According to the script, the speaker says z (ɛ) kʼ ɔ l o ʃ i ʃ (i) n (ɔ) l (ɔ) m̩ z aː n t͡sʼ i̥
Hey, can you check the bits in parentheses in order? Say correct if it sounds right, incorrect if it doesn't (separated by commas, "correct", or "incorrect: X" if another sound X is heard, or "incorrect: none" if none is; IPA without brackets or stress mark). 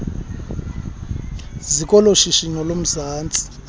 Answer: incorrect: i, correct, correct, incorrect: o